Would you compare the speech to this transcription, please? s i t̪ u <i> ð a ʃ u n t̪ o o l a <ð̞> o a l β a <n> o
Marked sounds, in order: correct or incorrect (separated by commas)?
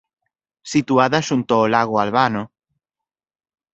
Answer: incorrect, incorrect, correct